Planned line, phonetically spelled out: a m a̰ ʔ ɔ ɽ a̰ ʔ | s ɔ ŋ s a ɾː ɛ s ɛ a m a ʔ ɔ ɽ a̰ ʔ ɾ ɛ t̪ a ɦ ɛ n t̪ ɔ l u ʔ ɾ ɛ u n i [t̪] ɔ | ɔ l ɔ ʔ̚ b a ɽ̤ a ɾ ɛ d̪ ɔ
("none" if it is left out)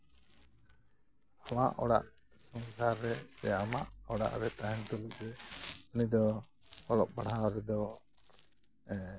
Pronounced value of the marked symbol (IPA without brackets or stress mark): d̪